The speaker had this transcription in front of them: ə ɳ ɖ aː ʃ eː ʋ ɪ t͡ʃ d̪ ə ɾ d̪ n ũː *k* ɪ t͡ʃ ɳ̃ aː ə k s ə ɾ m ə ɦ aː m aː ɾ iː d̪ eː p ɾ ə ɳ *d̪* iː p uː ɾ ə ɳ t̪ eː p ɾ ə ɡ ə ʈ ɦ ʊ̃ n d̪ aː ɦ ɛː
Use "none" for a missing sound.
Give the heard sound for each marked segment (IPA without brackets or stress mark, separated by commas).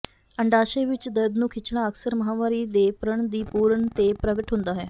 kʰ, d̪